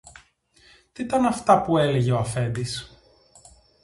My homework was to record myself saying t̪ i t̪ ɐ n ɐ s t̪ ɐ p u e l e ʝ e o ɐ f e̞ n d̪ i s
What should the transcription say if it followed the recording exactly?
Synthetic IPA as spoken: t̪ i t̪ ɐ n ɐ f t̪ ɐ p u e l e ʝ e o ɐ f e̞ n d̪ i s